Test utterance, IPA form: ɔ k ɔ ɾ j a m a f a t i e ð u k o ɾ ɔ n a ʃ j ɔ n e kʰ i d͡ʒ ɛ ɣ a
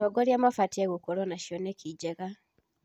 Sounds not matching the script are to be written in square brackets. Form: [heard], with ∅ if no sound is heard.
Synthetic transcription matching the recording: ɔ [ɡ] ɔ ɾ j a m a f a t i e [ɣ] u k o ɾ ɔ n a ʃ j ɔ n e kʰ i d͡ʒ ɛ ɣ a